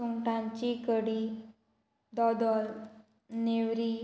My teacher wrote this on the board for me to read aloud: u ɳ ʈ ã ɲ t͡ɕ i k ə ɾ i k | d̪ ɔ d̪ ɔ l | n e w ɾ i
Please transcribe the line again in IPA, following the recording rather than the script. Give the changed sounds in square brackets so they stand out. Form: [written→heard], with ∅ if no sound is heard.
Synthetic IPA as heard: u [ɳ→ŋ] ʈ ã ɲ t͡ɕ i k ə [ɾ→ɽ] i [k→∅] | d̪ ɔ d̪ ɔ l | n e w ɾ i